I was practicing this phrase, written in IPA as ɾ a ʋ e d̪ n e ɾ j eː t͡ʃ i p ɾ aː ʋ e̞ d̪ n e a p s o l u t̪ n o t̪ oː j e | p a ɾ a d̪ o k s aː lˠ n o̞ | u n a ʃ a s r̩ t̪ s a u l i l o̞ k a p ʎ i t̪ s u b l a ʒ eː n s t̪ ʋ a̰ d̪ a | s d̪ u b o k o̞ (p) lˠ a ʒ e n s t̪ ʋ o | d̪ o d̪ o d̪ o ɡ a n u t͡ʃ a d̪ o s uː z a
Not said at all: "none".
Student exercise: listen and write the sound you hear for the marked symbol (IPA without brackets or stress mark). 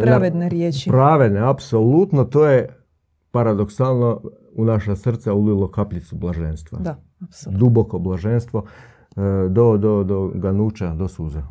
b